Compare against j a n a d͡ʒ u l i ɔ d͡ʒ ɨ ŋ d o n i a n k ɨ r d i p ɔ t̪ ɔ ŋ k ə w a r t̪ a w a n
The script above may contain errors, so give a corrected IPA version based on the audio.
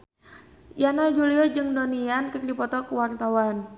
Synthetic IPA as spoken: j a n a d͡ʒ u l i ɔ d͡ʒ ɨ ŋ d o n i a n k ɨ r d i p ɔ t̪ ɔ k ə w a r t̪ a w a n